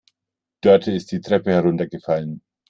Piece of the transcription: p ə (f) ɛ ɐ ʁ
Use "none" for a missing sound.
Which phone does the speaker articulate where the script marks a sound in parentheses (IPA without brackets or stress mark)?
h